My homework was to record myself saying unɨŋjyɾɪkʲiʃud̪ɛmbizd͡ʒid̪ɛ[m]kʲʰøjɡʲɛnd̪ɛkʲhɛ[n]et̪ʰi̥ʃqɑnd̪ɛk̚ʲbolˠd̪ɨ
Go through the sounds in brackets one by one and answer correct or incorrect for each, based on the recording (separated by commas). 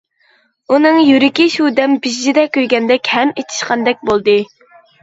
incorrect, incorrect